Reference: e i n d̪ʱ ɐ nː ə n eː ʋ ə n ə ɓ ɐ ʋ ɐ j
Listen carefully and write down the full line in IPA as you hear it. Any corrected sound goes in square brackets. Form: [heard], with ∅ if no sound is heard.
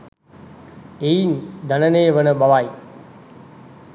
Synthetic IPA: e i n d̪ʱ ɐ [n] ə n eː ʋ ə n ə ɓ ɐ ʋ [a] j